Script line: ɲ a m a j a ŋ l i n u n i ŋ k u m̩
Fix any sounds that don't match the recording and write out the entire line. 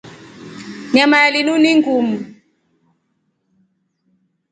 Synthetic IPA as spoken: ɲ a m a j a l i n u n i ŋ ɡ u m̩